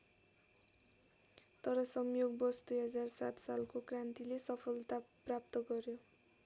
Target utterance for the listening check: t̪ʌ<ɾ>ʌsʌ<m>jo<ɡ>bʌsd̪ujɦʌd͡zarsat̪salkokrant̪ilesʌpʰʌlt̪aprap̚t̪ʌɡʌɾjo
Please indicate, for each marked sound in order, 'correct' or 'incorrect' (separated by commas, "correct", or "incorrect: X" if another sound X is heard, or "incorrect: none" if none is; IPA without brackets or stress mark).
correct, correct, correct